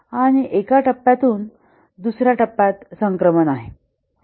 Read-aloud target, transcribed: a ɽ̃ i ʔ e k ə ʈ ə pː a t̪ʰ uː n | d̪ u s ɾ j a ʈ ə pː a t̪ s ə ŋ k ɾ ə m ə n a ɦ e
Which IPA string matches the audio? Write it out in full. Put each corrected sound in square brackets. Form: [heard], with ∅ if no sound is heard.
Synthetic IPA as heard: a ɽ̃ i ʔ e k [a] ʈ ə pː a [t̪] uː n | d̪ u s ɾ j a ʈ ə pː a t̪ s ə ŋ k ɾ ə m ə n a ɦ e